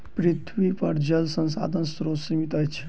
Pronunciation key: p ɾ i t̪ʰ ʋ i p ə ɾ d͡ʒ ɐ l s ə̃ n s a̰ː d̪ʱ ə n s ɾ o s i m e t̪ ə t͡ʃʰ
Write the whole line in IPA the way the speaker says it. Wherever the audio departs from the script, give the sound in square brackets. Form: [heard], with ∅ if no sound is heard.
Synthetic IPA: p ɾ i t̪ʰ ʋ i p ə ɾ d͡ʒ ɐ l s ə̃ n s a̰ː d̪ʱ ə n s ɾ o s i m [i] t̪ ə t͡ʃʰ